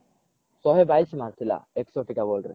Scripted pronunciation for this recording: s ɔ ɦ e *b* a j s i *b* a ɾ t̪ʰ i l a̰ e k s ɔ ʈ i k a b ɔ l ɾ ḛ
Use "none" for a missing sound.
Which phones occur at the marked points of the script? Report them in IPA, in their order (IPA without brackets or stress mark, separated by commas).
b, m